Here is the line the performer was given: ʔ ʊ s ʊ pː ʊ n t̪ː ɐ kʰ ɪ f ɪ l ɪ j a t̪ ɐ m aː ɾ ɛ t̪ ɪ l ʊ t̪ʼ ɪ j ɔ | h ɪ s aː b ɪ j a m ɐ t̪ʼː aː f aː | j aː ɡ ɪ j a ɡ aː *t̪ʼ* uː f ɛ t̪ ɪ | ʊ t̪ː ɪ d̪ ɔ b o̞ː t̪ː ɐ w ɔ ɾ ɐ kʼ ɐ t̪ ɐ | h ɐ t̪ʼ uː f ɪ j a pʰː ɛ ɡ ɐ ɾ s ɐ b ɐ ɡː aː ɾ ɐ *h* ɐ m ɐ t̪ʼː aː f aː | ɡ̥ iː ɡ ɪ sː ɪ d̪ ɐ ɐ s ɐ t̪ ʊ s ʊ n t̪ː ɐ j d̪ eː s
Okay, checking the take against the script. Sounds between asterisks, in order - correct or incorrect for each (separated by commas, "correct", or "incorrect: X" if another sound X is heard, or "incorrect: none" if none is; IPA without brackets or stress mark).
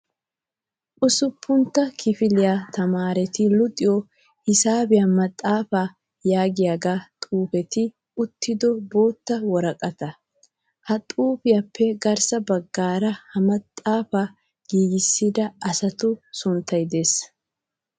correct, correct